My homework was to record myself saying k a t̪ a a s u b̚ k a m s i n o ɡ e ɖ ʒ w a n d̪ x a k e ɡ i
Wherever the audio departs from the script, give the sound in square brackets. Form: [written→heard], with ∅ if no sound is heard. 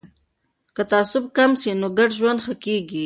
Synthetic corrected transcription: k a t̪ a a s [u→ʊ] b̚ k a m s i n o ɡ [e→a] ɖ ʒ w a n d̪ x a k e ɡ i